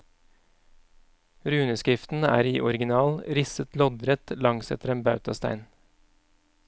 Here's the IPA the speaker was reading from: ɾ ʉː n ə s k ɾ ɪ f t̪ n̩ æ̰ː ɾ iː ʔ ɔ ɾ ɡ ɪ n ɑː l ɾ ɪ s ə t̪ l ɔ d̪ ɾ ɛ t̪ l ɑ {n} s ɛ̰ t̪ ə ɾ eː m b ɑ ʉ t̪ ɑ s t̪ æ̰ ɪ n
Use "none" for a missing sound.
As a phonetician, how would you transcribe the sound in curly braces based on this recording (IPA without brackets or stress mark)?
ŋ